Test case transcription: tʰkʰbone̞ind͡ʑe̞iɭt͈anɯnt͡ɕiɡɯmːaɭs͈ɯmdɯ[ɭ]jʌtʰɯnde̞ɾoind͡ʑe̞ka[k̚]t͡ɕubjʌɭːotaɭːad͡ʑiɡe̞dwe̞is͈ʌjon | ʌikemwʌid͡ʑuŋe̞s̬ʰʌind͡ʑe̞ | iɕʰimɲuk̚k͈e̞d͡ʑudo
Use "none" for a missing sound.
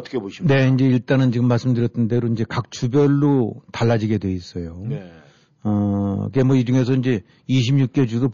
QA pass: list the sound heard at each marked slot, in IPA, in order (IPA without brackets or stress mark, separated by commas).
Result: ɾ, k̚